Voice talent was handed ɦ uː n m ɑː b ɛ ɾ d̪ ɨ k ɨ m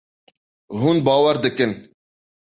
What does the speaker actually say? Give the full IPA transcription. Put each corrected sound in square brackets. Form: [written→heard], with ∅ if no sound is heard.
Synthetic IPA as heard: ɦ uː n [m→b] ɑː [b→w] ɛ ɾ d̪ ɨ k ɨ [m→n]